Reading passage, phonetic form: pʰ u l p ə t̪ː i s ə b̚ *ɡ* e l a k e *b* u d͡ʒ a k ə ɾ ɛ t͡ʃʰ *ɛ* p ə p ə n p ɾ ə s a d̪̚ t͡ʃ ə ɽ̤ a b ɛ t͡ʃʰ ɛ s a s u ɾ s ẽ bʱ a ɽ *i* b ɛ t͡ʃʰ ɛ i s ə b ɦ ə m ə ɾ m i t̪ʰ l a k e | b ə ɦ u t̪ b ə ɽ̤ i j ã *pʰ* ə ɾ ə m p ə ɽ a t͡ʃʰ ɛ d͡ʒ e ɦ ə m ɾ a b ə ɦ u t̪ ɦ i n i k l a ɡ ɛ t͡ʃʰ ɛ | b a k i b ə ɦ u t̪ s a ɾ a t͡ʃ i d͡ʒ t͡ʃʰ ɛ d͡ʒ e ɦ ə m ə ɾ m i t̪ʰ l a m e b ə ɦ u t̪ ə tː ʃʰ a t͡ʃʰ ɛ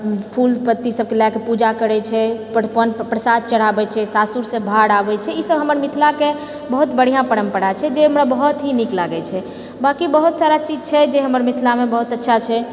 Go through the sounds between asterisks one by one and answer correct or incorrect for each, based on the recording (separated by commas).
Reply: incorrect, incorrect, correct, incorrect, incorrect